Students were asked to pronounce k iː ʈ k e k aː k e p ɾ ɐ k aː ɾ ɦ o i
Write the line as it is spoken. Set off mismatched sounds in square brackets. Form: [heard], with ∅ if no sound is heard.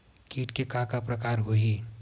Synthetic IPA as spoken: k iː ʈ k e k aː k [a] p ɾ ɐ k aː ɾ ɦ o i

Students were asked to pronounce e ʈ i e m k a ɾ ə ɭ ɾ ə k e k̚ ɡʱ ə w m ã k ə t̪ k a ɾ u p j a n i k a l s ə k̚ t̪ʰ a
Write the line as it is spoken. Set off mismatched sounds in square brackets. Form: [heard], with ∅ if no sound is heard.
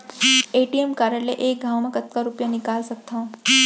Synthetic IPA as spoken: e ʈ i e m k a ɾ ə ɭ [l] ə [ʔ] e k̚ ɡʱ [a] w m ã k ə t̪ k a ɾ u p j a n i k a l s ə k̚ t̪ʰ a

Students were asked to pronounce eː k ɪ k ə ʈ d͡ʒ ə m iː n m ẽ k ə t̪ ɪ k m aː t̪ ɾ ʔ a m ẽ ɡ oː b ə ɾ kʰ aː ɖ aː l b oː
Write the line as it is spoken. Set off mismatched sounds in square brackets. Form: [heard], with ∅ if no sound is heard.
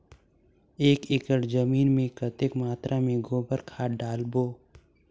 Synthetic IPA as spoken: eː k ɪ k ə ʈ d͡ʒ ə m iː n m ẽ k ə t̪ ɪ k m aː t̪ ɾ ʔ a m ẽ ɡ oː b ə ɾ kʰ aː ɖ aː l b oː

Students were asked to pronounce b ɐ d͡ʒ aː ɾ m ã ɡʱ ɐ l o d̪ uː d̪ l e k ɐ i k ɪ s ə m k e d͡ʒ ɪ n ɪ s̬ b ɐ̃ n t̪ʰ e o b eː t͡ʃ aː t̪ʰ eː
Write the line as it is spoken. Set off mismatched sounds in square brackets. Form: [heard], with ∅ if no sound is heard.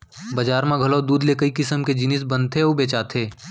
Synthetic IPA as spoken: b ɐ d͡ʒ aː ɾ m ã ɡʱ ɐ l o d̪ uː d̪ l e k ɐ i k ɪ s ə m k e d͡ʒ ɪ n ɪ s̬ b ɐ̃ n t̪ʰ e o b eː t͡ʃ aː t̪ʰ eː

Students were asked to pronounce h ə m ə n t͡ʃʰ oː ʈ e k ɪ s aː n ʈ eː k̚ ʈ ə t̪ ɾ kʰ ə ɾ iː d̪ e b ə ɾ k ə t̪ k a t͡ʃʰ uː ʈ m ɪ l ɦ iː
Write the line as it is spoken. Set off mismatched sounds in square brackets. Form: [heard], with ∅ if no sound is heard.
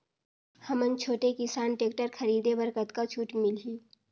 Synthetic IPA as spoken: h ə m ə n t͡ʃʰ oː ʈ e k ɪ s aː n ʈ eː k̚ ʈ ə [∅] ɾ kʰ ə ɾ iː d̪ e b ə ɾ k ə t̪ k a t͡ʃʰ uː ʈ m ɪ l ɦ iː

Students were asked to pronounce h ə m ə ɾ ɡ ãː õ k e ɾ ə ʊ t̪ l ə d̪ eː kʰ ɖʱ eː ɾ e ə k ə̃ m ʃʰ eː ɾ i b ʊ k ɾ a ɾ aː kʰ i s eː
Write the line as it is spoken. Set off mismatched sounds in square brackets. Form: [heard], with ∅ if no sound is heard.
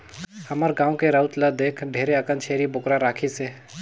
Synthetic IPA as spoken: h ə m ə ɾ ɡ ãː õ k e ɾ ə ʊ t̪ l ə d̪ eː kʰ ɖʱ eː ɾ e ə k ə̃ [n] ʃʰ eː ɾ i b ʊ k ɾ a ɾ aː kʰ i s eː

